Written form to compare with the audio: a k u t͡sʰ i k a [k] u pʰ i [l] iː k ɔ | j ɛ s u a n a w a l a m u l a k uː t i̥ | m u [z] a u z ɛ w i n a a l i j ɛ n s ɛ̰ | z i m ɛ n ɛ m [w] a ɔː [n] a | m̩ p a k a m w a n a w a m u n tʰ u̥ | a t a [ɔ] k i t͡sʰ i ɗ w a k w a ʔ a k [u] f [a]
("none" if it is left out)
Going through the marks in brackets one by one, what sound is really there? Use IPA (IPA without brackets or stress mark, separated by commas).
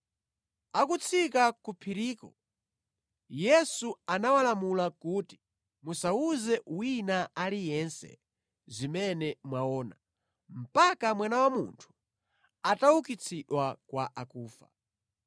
k, ɾ, s, w, n, u, uː, a